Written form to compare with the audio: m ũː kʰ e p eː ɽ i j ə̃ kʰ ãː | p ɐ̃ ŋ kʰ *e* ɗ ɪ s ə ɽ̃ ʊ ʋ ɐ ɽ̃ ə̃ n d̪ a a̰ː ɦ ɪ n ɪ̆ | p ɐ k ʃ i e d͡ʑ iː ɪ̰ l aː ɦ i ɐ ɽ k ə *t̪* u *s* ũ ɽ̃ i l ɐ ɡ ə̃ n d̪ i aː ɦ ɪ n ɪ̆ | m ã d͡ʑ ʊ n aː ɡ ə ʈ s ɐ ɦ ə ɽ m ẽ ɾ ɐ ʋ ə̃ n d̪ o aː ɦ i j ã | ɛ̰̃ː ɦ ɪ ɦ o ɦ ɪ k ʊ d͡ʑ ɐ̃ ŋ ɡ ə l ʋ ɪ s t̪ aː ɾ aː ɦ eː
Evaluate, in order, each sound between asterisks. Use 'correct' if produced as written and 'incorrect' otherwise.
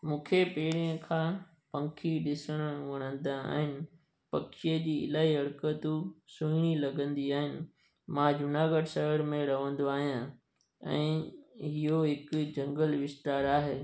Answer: incorrect, correct, correct

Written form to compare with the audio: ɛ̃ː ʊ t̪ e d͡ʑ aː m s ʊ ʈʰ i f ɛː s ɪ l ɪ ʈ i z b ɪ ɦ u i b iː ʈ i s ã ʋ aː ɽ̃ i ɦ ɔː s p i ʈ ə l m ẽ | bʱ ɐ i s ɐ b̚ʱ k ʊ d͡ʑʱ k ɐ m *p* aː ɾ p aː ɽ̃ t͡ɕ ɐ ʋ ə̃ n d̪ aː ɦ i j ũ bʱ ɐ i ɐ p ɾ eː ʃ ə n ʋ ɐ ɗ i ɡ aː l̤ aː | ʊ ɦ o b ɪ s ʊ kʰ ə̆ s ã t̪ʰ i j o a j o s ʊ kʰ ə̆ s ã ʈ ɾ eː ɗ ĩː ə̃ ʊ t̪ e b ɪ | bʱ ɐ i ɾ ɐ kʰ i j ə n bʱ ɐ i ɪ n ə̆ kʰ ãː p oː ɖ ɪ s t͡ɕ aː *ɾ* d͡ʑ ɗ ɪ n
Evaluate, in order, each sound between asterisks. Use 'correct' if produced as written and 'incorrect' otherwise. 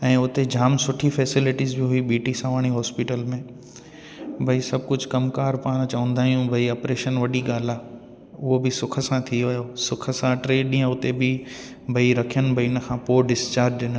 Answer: incorrect, correct

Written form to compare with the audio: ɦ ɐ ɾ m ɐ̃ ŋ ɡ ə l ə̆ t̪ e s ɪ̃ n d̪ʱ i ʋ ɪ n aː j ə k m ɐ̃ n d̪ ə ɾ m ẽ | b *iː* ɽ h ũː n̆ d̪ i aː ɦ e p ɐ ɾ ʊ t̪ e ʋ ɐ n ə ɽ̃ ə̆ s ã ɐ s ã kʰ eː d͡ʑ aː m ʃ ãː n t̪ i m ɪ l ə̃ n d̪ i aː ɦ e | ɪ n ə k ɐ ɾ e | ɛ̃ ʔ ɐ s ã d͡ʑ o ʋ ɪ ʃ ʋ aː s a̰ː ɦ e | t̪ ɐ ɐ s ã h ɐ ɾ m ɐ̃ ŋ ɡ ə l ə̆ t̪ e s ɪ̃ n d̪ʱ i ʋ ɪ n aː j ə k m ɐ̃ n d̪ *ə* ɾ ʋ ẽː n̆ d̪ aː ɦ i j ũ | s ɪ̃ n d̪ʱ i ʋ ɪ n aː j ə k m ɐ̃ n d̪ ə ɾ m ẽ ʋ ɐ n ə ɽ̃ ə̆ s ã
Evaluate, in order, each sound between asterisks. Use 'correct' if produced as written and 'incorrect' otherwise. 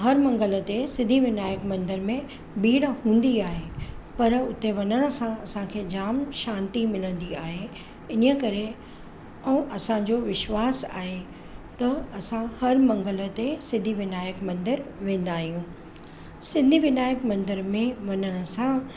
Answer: correct, correct

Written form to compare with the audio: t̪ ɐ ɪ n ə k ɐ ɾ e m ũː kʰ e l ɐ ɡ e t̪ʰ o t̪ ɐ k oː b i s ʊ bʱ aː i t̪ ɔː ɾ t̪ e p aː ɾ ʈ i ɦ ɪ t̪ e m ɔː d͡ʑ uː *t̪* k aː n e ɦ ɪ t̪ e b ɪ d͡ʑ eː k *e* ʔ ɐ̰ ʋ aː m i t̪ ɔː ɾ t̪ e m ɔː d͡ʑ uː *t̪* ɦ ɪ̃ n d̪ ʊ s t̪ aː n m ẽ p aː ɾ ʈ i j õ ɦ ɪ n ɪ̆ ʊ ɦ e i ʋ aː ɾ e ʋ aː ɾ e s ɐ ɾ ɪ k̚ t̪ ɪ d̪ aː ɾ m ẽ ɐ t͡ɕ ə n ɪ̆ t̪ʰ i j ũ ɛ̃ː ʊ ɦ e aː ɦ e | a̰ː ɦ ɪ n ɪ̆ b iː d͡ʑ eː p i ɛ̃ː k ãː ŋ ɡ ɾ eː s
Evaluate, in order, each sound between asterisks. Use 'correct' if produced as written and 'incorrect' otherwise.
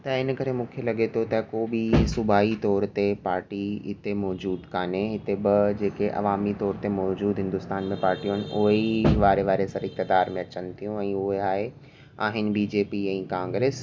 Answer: incorrect, correct, incorrect

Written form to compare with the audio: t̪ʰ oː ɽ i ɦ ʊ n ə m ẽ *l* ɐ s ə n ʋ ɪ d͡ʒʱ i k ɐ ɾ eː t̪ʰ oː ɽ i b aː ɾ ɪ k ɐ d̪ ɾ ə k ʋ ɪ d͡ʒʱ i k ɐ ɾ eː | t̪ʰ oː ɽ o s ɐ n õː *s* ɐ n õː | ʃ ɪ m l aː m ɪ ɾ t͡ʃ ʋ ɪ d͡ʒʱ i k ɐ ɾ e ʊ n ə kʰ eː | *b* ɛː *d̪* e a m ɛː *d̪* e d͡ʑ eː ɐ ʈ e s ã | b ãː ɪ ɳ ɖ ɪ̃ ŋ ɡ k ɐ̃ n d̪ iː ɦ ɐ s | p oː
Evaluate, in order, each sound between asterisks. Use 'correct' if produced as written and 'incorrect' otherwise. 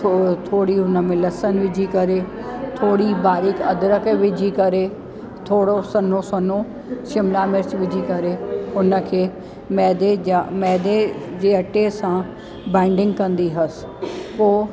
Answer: correct, correct, incorrect, correct, correct

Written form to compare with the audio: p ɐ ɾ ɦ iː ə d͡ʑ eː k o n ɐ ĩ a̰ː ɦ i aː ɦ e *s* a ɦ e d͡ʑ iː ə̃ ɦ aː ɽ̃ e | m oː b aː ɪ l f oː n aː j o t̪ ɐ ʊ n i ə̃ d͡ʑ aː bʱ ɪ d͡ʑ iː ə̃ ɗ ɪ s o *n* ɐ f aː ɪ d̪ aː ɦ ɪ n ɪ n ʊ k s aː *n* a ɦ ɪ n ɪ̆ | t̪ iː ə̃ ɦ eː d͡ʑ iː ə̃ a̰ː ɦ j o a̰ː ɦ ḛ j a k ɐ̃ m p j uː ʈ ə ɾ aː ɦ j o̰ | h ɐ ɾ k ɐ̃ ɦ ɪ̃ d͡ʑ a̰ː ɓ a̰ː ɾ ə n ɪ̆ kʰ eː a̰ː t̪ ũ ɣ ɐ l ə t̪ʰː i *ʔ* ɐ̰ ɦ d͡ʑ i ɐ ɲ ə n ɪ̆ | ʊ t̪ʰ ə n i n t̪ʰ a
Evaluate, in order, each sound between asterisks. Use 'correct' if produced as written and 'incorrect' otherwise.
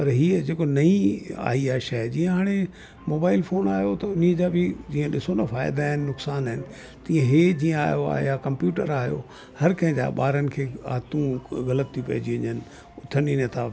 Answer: incorrect, correct, correct, incorrect

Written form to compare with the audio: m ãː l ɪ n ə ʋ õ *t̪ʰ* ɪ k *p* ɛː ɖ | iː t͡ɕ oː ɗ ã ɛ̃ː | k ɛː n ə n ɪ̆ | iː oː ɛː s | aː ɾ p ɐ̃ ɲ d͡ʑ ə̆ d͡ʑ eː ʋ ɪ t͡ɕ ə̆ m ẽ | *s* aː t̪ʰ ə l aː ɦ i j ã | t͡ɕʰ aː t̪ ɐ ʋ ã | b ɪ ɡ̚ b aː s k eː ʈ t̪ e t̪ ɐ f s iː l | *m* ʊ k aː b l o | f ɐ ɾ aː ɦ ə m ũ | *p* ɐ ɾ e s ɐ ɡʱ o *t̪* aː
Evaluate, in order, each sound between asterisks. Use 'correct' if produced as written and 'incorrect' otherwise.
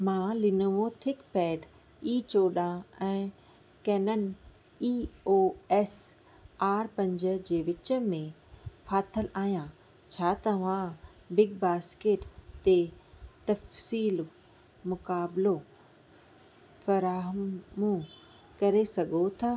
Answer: correct, correct, incorrect, correct, incorrect, incorrect

